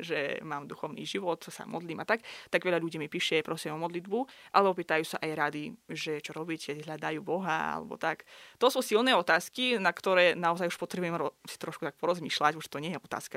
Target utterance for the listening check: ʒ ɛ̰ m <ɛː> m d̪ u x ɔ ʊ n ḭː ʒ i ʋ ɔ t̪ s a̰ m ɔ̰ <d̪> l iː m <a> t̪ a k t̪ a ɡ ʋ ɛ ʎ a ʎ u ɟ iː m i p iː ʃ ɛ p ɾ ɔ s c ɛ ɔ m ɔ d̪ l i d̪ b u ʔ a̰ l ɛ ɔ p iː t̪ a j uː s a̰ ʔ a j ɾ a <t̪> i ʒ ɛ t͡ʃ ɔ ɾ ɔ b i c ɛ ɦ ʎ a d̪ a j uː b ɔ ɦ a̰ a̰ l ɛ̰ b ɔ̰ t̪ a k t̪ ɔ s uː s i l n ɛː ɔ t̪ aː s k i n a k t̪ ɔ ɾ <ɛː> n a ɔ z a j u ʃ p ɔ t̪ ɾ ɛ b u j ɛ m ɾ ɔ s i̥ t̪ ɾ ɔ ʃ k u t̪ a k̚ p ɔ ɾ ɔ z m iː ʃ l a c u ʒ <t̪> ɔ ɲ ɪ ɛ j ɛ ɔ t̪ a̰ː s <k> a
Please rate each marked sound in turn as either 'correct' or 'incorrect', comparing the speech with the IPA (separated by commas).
incorrect, correct, correct, incorrect, correct, correct, correct